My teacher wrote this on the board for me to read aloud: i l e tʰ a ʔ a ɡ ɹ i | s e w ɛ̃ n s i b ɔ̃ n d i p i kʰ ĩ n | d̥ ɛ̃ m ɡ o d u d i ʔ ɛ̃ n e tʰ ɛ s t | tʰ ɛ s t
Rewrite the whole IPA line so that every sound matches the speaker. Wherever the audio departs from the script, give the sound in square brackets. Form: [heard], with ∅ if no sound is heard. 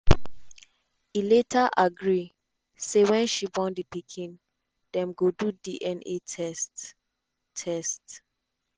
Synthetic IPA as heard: i l e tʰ a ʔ a ɡ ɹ i | s e w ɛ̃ n [ʃ] i b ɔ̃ n d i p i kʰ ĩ n | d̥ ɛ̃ m ɡ o d u d i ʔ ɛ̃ n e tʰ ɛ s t | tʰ ɛ s t